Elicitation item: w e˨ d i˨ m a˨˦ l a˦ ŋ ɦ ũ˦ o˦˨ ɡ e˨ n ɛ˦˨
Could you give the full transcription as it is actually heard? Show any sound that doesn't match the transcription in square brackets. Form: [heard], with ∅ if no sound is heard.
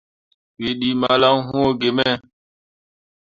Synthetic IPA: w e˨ [ɗ] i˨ m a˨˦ l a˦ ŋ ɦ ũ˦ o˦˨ ɡ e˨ [m] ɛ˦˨